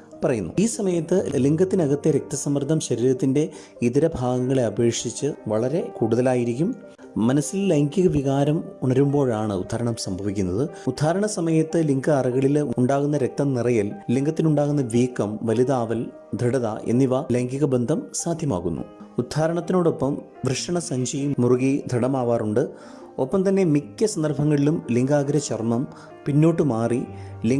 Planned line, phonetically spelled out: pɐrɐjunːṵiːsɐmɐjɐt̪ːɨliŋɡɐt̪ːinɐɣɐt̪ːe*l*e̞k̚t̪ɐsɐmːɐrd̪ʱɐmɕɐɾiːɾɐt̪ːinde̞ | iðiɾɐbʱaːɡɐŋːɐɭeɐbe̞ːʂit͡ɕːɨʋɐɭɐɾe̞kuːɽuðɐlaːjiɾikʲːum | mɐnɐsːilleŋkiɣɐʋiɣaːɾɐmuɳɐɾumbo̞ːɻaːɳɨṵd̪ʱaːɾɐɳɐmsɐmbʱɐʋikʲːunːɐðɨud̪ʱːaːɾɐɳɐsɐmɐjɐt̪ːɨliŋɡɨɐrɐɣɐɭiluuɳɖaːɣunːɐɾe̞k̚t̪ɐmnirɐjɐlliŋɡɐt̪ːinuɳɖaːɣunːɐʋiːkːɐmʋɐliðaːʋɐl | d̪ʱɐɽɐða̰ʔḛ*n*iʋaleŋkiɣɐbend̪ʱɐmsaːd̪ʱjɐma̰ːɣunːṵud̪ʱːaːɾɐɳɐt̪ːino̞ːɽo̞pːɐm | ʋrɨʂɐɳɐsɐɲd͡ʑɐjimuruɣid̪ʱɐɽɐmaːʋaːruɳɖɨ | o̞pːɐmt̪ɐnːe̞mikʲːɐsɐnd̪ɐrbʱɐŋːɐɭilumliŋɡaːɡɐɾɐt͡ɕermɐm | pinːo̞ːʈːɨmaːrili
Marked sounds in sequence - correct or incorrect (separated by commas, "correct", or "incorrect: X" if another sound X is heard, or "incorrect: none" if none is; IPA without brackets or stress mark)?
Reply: incorrect: ɾ, incorrect: nː